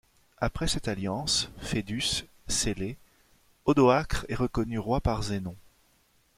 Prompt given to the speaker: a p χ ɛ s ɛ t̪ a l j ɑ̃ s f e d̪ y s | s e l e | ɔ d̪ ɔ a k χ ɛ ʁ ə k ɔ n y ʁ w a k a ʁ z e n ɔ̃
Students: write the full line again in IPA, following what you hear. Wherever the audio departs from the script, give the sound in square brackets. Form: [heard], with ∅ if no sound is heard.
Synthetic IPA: a p χ ɛ s ɛ t̪ a l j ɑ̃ s f e d̪ y s | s e l e | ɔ d̪ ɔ a k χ ɛ ʁ ə k ɔ n y ʁ w a [p] a ʁ z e n ɔ̃